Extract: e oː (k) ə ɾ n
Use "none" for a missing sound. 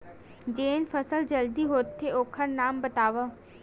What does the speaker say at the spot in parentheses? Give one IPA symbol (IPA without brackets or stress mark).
kʰ